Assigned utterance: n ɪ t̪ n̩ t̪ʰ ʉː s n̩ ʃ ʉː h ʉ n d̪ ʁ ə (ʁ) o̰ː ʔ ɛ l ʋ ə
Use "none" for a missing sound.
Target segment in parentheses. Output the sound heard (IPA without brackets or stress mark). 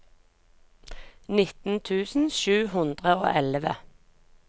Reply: none